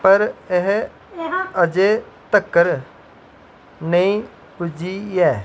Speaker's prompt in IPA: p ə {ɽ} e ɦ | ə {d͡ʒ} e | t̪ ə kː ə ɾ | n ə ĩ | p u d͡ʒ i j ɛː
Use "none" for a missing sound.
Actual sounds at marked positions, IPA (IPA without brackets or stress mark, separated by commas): ɾ, d͡ʒ